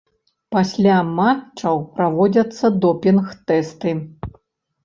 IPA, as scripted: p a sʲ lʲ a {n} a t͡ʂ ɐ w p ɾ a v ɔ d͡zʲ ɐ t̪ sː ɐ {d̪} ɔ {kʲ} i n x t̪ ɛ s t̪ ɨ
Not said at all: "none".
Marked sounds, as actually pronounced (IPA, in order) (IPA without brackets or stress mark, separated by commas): m, d̪, pʲ